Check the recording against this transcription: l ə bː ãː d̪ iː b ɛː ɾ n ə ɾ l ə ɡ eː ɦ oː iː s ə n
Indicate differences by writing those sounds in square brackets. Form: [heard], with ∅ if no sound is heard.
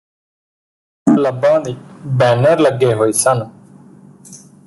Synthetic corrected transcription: l ə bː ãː d̪ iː b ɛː [∅] n ə ɾ l ə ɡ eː ɦ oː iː s ə n